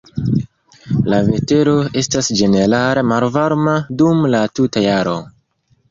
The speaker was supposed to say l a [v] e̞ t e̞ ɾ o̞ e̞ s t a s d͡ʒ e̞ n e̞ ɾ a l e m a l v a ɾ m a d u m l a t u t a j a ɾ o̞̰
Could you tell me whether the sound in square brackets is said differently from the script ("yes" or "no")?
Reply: no